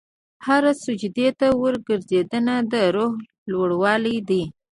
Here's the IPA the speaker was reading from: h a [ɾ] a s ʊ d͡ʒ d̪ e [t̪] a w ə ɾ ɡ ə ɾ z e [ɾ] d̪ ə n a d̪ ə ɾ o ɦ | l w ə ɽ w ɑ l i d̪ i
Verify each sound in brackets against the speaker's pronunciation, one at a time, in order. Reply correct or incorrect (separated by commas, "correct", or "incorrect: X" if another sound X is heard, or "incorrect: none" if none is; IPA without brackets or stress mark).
correct, correct, incorrect: none